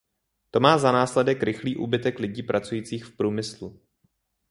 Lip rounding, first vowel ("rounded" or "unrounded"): rounded